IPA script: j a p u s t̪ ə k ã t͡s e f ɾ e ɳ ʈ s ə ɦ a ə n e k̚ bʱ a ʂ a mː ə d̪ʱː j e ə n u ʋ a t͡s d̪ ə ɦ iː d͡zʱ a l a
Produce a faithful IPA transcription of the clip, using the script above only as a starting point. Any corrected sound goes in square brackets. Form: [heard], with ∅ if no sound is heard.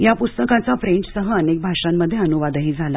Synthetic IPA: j a p u s t̪ ə k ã t͡s [a] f ɾ e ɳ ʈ s ə ɦ [ə] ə n e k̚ bʱ a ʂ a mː ə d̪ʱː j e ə n u ʋ a [∅] d̪ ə ɦ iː d͡zʱ a l a

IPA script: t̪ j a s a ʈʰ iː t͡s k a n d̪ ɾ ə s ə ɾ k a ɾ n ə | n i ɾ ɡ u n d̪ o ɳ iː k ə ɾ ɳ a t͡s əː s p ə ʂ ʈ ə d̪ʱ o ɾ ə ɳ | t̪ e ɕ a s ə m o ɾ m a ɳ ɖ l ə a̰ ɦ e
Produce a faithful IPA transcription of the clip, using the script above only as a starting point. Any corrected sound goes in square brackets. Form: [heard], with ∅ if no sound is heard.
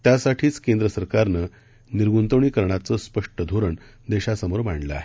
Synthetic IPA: t̪ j a s a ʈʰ iː t͡s k [e] n d̪ ɾ ə s ə ɾ k a ɾ n ə | n i ɾ ɡ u n [t̪] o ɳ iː k ə ɾ ɳ a t͡s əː s p ə ʂ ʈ ə d̪ʱ o ɾ ə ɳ | [d̪] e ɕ a s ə m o ɾ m a ɳ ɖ l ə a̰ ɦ e

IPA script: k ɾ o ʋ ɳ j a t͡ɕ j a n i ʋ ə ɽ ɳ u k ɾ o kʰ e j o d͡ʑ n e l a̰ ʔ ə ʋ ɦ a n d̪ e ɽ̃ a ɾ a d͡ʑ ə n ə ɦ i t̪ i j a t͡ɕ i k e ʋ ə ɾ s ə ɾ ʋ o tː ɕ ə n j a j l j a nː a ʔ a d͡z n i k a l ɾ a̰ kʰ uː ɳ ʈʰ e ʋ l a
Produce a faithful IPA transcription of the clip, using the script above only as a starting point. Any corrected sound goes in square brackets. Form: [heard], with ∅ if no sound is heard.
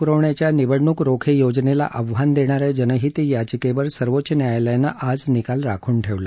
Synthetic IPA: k ɾ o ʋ ɳ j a t͡ɕ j a n i ʋ ə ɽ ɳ u k ɾ o kʰ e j o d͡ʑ n e l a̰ ʔ ə ʋ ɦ a n d̪ e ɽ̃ a ɾ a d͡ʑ ə n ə ɦ i t̪ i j a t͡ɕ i k e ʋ ə ɾ s ə ɾ ʋ o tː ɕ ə n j a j l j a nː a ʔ a d͡z n i k a l ɾ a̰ kʰ uː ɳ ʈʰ e ʋ l a

